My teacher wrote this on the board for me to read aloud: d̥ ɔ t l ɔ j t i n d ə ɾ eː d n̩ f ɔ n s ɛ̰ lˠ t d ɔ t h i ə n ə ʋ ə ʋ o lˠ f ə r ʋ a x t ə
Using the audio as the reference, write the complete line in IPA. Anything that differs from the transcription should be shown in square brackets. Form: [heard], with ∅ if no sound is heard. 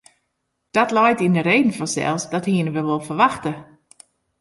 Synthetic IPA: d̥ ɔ t l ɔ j t i n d ə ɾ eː d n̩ f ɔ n s ɛ̰ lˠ [s] d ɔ t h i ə n ə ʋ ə ʋ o lˠ f ə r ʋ a x t ə